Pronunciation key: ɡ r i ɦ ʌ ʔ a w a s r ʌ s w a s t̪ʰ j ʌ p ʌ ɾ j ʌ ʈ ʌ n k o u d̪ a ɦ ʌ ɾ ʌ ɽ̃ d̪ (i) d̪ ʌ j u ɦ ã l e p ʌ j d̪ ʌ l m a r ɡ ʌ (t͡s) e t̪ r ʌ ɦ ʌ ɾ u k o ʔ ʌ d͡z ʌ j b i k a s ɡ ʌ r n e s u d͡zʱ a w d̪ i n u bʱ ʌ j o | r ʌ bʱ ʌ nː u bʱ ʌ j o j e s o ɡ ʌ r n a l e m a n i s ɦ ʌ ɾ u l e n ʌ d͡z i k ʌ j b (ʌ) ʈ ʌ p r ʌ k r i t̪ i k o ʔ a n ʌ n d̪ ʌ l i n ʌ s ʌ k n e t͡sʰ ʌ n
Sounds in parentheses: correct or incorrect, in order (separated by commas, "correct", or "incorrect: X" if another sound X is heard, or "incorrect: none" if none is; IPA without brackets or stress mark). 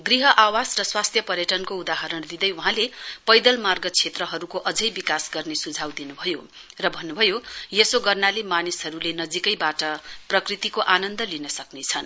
correct, incorrect: t͡sʰ, incorrect: a